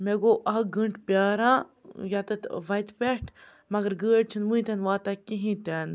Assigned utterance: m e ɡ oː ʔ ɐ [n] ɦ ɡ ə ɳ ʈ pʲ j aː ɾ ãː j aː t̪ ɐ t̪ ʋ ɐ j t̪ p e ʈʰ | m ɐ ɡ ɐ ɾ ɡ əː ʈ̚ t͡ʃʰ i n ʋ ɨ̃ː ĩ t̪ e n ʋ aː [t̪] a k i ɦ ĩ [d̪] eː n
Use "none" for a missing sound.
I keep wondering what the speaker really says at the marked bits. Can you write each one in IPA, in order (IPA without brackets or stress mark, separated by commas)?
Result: none, t̪, t̪